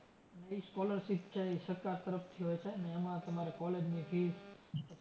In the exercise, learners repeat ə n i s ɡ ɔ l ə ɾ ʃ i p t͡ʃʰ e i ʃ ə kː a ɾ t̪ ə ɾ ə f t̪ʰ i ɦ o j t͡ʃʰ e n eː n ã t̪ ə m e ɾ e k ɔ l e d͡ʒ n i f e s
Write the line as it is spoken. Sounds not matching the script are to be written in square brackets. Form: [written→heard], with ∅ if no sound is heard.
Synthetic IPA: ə n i s [ɡ→k] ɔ l ə ɾ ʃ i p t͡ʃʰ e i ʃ ə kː a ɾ t̪ ə ɾ ə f t̪ʰ i ɦ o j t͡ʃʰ e n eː [n→m] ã t̪ ə m [e→a] ɾ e k ɔ l e d͡ʒ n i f [e→i] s